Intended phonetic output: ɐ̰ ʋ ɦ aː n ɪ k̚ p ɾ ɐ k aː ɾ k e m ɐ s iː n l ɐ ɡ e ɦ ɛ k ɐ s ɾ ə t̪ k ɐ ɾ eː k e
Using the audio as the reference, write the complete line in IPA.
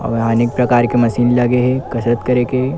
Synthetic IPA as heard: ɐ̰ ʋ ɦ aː n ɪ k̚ p ɾ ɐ k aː ɾ k e m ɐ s iː n l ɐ ɡ e ɦ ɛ k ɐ s ɾ ə t̪ k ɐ ɾ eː k e